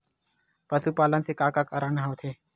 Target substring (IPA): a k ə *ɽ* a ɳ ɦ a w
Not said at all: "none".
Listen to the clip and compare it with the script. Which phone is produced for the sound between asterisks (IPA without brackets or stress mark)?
ɾ